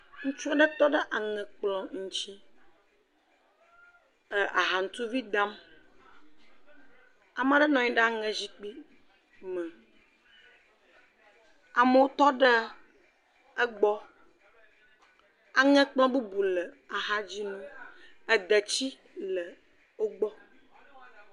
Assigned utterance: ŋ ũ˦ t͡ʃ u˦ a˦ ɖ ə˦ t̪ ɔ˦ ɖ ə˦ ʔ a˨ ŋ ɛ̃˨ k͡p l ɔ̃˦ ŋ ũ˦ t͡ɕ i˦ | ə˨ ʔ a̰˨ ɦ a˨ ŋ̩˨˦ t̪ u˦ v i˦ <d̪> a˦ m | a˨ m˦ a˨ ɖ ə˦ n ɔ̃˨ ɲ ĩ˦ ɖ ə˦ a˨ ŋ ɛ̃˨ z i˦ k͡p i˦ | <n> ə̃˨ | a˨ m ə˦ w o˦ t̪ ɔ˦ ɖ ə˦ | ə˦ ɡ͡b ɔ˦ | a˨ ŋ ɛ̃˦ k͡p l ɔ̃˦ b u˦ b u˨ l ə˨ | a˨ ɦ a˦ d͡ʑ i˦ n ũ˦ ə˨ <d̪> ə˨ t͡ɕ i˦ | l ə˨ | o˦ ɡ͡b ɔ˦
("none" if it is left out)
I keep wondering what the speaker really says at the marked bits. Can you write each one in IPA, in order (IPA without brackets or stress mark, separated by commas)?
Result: d̪, m, d̪